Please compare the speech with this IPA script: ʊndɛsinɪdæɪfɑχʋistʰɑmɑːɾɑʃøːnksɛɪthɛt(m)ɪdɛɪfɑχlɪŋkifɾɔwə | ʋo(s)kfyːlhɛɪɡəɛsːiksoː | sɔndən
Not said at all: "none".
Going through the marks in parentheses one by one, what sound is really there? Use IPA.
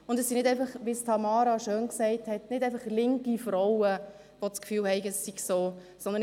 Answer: n, t͡s

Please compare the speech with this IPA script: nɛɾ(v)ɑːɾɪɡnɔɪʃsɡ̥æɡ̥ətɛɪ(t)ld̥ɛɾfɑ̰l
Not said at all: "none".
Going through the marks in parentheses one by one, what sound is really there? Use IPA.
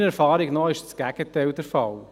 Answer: f, none

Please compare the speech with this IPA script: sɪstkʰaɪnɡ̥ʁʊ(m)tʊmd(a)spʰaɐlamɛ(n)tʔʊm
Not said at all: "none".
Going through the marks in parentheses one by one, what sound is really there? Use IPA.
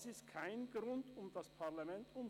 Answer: n, a, n

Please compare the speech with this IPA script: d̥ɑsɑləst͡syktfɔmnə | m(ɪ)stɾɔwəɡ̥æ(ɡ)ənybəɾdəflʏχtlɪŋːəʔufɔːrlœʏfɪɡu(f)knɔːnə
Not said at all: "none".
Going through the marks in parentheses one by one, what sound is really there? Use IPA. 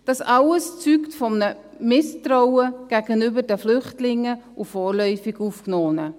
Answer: ɪ, ɡ, f

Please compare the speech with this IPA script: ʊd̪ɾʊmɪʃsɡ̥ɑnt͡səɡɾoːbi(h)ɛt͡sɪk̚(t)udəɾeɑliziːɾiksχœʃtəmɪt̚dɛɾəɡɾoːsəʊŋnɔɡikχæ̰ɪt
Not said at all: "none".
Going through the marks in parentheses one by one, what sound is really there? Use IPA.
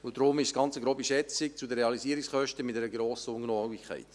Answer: ʃ, t͡s

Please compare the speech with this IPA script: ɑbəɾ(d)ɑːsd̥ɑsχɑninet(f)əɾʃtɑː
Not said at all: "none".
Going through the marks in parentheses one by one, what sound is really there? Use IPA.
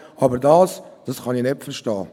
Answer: d, f

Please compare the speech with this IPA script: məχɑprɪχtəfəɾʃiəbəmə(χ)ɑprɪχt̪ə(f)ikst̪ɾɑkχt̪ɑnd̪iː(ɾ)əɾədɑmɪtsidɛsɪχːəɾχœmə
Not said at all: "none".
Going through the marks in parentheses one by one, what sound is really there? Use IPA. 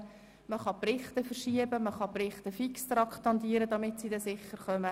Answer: χ, f, none

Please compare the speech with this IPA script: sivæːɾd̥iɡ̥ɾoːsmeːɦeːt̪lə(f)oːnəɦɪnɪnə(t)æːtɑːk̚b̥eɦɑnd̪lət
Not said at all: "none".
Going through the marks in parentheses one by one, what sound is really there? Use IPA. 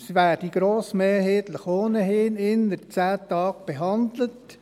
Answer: χ, t͡s

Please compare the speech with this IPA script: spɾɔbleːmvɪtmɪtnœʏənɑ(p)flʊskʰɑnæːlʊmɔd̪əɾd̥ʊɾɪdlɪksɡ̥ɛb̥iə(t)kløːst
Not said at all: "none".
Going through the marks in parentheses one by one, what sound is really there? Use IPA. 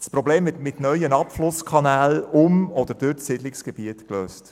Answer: p, t

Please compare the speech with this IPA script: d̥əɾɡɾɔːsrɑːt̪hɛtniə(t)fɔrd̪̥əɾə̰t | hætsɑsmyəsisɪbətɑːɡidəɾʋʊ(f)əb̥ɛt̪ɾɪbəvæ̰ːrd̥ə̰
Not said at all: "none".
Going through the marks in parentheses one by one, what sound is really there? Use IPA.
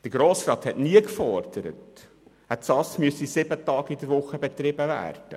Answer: k, χ

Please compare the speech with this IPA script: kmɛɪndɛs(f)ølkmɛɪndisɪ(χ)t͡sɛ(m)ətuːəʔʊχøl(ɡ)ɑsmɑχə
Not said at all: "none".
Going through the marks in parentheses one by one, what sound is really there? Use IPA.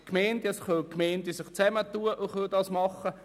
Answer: χ, χ, m, d

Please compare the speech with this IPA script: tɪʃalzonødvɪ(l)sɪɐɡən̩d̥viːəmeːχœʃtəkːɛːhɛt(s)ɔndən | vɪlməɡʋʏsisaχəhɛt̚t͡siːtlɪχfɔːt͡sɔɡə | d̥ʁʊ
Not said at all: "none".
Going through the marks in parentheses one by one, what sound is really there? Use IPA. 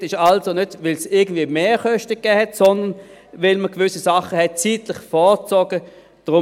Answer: l, s

